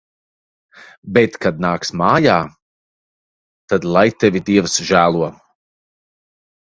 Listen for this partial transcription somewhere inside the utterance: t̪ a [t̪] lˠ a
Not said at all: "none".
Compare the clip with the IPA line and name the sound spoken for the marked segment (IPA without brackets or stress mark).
d̪